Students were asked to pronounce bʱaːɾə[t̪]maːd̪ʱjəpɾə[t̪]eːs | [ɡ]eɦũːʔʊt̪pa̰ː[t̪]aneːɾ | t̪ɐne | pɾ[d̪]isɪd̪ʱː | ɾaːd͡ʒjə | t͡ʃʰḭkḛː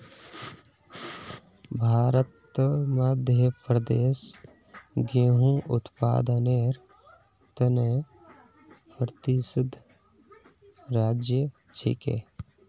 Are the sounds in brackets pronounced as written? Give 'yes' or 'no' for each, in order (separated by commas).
yes, no, yes, no, no